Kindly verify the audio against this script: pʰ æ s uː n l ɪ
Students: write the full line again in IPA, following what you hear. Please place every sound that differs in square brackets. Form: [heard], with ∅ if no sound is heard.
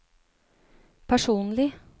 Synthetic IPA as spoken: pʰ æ [ʂ] uː n l ɪ